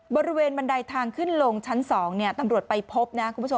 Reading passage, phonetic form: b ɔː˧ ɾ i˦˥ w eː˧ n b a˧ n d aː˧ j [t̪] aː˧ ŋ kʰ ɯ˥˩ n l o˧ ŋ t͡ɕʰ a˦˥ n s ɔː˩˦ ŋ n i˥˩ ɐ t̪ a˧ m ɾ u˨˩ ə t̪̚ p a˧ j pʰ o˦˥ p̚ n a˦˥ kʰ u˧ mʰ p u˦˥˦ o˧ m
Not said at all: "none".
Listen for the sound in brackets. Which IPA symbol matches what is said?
t̪ʰ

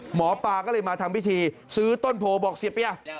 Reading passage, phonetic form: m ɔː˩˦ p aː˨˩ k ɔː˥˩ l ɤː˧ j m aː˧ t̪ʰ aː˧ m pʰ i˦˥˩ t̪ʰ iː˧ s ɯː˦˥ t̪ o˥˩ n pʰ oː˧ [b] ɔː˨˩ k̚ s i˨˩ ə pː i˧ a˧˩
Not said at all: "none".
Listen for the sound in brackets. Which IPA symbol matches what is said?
b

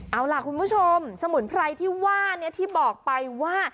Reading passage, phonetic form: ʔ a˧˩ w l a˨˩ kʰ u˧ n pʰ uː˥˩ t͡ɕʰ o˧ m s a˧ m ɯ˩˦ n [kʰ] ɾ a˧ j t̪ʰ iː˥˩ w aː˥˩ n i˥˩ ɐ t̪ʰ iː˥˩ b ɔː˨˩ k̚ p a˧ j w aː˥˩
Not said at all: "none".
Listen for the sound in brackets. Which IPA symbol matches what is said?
pʰ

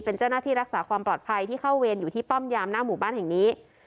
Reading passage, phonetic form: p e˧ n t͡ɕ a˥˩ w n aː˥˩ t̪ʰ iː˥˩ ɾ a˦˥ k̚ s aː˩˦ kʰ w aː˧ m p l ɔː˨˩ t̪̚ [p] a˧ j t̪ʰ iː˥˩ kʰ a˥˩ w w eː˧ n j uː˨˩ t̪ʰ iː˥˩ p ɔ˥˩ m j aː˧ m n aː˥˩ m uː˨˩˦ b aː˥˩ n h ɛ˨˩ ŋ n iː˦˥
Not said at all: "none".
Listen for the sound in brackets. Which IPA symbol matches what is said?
pʰ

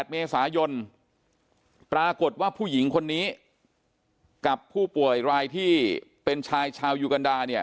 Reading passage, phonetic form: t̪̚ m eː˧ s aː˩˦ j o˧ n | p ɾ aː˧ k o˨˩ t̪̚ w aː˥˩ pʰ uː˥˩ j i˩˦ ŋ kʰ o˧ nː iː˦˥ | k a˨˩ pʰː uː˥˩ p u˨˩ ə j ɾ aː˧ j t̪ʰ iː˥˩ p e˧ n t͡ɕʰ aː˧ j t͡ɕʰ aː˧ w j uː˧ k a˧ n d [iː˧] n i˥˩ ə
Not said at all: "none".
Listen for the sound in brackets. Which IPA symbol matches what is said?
aː˧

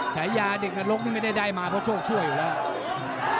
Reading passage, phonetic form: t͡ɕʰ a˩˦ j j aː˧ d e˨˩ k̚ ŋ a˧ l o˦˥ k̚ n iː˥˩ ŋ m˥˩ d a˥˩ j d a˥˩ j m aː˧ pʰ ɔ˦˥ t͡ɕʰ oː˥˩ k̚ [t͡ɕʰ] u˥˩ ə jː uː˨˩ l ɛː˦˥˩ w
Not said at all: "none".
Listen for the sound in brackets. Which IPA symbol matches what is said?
t͡ɕʰ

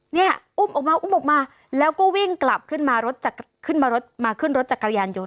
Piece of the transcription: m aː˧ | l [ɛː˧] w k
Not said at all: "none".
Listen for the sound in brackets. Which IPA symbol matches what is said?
ɛː˦˥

